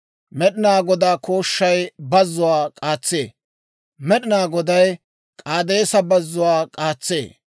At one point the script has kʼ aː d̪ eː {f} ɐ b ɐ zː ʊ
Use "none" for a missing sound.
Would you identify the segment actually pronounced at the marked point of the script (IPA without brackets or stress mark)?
s